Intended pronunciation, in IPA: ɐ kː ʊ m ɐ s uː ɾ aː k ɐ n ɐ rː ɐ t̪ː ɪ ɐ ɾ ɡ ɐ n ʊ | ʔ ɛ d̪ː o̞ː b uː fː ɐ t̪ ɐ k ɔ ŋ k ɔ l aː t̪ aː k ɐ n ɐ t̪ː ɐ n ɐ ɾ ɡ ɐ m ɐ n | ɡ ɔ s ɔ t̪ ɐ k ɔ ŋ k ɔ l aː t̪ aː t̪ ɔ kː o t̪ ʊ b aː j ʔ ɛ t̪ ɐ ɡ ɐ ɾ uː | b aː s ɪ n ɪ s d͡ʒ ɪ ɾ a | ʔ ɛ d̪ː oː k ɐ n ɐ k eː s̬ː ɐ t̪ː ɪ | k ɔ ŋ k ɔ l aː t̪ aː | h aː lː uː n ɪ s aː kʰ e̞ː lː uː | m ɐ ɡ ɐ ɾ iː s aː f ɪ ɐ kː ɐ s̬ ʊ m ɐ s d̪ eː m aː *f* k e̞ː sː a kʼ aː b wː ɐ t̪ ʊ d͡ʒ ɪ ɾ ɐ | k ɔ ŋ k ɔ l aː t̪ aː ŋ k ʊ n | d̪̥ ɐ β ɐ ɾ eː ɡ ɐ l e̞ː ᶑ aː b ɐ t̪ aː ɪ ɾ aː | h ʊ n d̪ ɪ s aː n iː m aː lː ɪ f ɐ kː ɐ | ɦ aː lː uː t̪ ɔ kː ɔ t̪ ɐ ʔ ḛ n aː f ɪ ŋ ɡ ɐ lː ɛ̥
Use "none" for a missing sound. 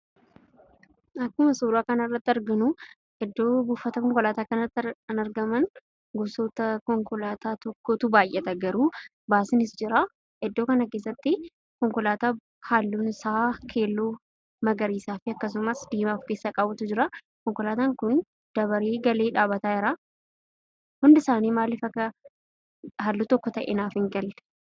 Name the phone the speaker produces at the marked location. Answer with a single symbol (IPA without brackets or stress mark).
f